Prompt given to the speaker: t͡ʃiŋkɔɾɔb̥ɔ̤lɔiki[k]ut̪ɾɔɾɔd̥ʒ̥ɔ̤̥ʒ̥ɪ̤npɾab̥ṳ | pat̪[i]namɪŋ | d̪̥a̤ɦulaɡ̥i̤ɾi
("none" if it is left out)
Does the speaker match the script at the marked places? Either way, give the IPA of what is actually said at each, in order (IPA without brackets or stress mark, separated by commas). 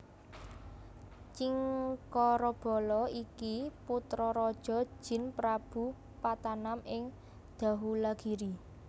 p, a